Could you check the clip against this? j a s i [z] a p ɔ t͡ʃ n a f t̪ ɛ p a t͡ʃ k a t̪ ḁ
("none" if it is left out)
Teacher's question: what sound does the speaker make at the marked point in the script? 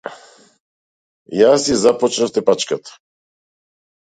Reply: z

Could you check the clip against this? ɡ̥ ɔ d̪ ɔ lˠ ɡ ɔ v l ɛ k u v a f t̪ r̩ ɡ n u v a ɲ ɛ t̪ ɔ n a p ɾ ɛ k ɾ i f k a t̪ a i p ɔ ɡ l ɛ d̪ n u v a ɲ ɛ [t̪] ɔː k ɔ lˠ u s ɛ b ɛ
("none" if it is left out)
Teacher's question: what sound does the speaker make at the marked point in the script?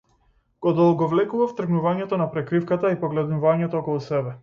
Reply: t̪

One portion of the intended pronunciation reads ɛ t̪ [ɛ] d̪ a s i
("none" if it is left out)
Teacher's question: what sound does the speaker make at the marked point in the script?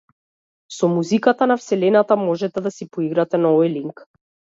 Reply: ɛ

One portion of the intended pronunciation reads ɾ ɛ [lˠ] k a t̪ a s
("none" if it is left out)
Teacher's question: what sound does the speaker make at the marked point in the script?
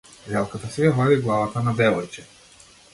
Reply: lˠ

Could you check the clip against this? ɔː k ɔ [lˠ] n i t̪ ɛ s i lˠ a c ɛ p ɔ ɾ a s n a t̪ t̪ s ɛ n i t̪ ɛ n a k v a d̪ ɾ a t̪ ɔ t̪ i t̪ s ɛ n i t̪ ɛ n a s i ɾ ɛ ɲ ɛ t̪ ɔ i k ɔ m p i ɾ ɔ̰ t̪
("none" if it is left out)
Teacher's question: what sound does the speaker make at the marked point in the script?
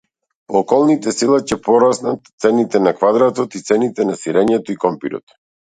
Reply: lˠ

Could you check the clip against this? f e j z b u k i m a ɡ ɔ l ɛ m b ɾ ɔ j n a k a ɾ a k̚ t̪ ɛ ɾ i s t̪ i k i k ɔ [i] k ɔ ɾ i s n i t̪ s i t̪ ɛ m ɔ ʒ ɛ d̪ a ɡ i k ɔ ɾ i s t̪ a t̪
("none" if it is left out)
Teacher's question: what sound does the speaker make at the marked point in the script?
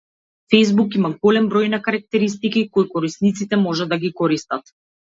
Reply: j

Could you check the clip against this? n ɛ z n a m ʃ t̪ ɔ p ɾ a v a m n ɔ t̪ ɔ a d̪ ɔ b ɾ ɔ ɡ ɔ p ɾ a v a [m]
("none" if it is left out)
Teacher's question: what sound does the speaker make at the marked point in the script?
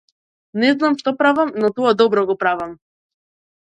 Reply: m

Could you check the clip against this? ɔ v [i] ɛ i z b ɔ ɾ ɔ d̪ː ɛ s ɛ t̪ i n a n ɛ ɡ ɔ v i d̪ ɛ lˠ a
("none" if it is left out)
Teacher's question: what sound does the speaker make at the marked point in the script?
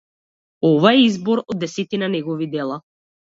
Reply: a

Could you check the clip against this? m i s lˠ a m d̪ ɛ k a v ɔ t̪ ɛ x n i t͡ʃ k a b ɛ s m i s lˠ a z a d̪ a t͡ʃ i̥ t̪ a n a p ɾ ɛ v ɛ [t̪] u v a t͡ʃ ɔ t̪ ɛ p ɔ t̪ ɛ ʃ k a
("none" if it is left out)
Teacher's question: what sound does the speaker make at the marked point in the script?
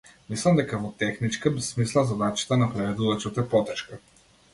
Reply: d̪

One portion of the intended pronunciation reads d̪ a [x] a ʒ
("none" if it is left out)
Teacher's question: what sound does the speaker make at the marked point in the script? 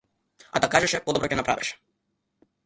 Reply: k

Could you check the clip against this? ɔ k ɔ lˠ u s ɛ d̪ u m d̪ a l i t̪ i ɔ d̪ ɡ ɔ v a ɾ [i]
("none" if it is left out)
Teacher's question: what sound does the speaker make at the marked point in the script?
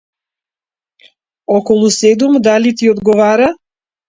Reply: a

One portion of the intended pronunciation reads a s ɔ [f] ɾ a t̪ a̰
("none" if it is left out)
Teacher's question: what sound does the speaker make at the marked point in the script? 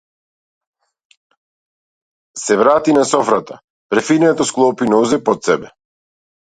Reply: f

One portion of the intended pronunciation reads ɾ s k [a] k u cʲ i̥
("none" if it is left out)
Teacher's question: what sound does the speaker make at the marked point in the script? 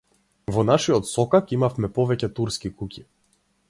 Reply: i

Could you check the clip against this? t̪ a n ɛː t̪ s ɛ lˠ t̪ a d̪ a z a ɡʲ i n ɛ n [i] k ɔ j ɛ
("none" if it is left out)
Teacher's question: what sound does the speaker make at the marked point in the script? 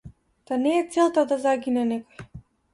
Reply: ɛ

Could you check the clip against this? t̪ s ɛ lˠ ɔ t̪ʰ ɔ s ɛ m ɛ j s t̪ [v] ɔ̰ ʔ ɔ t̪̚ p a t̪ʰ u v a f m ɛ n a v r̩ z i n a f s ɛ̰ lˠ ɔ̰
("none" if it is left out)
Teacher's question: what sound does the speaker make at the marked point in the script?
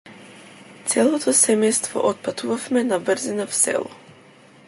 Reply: v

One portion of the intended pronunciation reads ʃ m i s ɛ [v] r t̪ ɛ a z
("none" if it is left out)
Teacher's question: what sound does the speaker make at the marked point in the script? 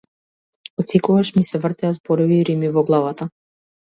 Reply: v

